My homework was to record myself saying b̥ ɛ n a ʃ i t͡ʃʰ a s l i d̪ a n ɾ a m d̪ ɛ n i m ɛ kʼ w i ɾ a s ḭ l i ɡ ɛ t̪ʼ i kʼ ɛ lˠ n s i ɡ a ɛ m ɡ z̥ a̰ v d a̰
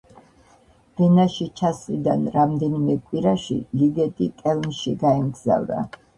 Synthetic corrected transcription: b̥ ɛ n a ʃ i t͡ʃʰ a s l i d̪ a n ɾ a m d̪ ɛ n i m ɛ kʼ w i ɾ a ʃ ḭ l i ɡ ɛ t̪ʼ i kʼ ɛ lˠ n ʃ i ɡ a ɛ m ɡ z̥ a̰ v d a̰